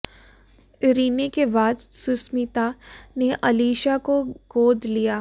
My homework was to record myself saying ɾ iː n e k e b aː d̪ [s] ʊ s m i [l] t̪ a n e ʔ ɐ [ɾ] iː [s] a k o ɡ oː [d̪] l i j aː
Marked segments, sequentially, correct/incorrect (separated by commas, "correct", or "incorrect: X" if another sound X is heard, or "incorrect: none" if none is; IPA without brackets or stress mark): correct, incorrect: none, incorrect: l, incorrect: ʃ, correct